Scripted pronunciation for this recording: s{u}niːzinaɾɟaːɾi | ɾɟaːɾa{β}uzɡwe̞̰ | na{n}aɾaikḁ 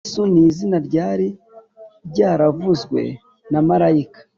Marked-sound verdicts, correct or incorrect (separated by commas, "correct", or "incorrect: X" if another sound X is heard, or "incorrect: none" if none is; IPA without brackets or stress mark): correct, incorrect: v, incorrect: m